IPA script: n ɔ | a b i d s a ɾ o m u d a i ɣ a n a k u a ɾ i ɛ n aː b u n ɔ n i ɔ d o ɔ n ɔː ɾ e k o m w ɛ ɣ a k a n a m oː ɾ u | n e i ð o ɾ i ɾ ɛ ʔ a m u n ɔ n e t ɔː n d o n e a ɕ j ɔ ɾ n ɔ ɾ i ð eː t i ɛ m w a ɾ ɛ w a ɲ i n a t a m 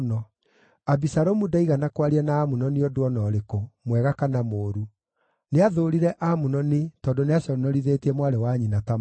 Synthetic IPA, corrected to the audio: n ɔ | a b i s a ɾ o m u d a i ɣ a n a k w a ɾ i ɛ n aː m u n ɔ n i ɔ d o ɔ n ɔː ɾ e k o m w ɛ ɣ a k a n a m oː ɾ u | n e a ð o ɾ i ɾ ɛ ʔ a m u n ɔ n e t ɔː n d o n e a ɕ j ɔ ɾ n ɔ ɾ i ð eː t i ɛ m w a ɾ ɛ w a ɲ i n a t a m